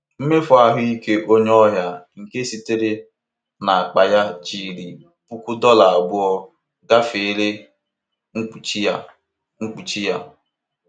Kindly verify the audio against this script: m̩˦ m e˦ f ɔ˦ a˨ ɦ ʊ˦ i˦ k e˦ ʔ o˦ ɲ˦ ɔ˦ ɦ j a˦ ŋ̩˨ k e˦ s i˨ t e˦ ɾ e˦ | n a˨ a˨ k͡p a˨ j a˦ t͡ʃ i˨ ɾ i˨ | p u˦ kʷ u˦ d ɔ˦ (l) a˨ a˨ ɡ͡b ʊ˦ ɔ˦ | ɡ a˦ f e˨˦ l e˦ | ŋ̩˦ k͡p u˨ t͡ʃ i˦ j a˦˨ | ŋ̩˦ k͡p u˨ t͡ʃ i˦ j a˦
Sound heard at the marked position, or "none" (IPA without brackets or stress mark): l